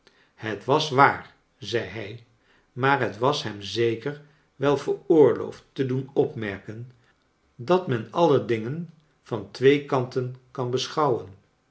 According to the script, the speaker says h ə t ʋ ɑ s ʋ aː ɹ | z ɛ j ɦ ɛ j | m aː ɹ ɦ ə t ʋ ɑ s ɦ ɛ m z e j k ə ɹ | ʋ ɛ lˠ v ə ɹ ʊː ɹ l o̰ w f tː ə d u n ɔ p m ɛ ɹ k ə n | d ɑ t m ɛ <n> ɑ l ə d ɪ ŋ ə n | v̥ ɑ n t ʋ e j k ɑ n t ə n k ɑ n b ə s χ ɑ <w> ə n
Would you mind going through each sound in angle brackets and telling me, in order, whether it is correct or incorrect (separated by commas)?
correct, correct